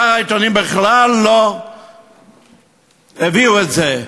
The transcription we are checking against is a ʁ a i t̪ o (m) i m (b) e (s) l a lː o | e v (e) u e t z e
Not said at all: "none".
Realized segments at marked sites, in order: n, b, χ, i

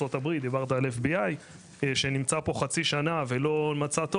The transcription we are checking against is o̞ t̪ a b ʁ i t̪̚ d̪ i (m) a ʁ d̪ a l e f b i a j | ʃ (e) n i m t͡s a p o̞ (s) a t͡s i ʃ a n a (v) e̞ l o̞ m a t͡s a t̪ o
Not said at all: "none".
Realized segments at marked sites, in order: b, e, χ, v

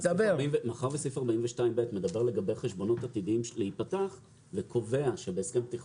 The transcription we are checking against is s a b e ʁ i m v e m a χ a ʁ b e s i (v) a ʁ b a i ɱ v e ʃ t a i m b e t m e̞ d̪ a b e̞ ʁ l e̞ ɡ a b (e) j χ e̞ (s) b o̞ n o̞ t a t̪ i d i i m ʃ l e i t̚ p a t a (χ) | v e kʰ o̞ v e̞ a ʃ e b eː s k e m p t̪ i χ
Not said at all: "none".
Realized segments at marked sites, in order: f, e, ʃ, χ

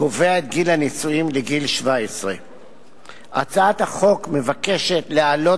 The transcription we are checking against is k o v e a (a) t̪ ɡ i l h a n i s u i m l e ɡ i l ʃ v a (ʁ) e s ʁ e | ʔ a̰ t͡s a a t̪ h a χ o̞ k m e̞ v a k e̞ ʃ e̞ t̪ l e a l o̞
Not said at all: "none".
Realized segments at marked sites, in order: e, none

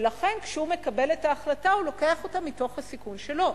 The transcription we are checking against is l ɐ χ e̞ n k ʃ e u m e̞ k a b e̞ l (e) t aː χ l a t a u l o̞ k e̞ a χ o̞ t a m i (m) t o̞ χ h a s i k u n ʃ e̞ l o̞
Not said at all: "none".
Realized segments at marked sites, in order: e, none

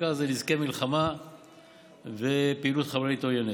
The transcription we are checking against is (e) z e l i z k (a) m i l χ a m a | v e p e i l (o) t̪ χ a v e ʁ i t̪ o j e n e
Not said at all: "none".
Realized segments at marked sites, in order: a, e, u

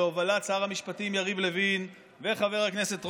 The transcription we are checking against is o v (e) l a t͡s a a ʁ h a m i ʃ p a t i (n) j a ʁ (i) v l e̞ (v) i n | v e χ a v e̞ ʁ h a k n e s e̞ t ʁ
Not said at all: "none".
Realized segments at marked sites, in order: a, m, i, v

